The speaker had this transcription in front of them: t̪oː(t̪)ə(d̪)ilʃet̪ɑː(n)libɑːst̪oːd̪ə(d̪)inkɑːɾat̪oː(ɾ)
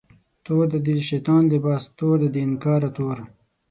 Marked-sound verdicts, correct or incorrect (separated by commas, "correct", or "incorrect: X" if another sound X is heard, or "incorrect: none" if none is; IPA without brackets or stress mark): incorrect: d̪, correct, correct, correct, correct